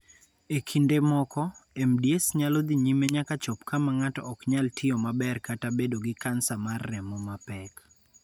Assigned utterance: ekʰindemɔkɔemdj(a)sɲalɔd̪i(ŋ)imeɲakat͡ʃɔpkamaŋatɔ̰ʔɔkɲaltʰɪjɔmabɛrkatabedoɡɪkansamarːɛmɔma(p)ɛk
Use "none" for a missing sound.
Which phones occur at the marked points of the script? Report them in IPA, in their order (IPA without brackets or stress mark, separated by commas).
e, ɲ, p